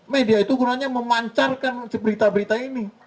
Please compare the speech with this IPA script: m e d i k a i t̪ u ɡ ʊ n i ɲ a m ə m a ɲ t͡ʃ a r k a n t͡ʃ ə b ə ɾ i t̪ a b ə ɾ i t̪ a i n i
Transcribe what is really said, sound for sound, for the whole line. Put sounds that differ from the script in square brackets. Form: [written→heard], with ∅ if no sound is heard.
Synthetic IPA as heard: m e d i [k→∅] a i t̪ u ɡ [ʊ→u] n [i→a] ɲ a m ə m a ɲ t͡ʃ a r k a n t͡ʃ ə b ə ɾ i t̪ a b ə ɾ i t̪ a i n i